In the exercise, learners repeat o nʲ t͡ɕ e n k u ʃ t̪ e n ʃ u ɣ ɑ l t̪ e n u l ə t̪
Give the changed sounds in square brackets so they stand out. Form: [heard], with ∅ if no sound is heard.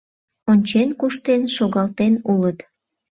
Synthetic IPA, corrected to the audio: o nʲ t͡ɕ e n k u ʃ t̪ e n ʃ [o] ɣ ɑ l t̪ e n u l ə t̪

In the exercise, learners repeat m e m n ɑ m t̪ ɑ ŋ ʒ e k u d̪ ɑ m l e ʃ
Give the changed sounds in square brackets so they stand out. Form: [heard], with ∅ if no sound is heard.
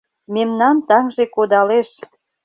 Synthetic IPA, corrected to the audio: m e m n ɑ [n] t̪ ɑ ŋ ʒ e k [o] d̪ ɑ [∅] l e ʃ

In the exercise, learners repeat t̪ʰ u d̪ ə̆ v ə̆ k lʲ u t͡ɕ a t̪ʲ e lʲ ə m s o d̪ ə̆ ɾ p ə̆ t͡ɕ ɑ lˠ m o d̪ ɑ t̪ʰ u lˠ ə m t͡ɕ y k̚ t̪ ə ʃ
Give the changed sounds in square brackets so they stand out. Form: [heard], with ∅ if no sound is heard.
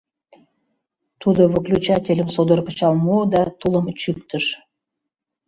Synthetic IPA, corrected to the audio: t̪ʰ u d̪ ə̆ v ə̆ k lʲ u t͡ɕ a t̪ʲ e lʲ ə m s o d̪ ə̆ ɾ p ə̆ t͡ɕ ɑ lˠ m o d̪ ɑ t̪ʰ u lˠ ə m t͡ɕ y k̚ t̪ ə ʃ

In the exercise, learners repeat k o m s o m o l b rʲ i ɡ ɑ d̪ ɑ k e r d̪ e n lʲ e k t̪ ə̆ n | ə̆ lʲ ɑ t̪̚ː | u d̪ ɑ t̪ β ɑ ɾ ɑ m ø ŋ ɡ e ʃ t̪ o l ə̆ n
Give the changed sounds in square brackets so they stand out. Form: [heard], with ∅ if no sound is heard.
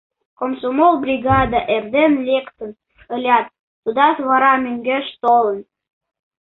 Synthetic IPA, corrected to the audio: k o m s o m o l b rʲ i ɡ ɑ d̪ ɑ [ʔ] e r d̪ e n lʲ e k t̪ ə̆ n | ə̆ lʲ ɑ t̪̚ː | u d̪ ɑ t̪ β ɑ ɾ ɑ m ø ŋ ɡ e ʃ t̪ o l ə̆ n

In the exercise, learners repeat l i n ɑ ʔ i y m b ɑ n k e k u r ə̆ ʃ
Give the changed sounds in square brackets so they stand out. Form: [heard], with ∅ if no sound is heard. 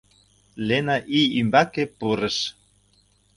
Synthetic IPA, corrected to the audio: l [e] n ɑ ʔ i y m b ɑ [∅] k e [p] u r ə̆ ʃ

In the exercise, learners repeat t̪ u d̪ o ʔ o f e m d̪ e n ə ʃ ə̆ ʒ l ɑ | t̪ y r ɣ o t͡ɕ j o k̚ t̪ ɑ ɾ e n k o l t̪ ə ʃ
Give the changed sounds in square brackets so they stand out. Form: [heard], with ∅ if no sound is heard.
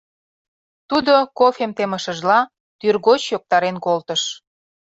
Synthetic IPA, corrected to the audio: t̪ u d̪ o [k] o f e m [t̪] e [m] ə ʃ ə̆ ʒ l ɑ | t̪ y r ɣ o t͡ɕ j o k̚ t̪ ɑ ɾ e n k o l t̪ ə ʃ

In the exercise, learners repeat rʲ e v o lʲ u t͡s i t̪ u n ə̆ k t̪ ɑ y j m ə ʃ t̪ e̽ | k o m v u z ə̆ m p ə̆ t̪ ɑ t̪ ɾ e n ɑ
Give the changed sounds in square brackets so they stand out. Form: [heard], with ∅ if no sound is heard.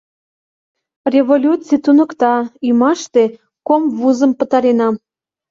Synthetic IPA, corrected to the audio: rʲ e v o lʲ u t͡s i t̪ u n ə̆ k t̪ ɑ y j m [ɑ] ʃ t̪ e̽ | k o m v u z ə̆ m p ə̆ t̪ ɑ [∅] ɾ e n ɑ

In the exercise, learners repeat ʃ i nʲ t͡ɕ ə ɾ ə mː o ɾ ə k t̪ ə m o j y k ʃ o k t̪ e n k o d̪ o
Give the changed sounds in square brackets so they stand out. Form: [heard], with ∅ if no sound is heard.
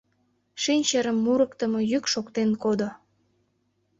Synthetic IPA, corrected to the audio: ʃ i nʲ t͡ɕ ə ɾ ə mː [u] ɾ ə k t̪ ə m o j y k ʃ o k t̪ e n k o d̪ o

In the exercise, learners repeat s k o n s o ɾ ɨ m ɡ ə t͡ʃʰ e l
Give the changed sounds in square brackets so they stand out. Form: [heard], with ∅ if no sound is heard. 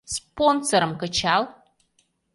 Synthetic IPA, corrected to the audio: s [p] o n s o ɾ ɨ m [k] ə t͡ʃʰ [a] l

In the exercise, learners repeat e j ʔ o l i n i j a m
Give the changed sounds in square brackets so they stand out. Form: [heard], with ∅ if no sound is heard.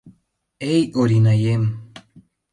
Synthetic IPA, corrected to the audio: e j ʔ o [ɾ] i n [a] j [e] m

